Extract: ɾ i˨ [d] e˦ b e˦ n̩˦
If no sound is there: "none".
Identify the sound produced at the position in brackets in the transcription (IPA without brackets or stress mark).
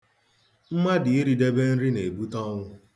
d